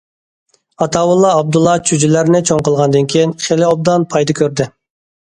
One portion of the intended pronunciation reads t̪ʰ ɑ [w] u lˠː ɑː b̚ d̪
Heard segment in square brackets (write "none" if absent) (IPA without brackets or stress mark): w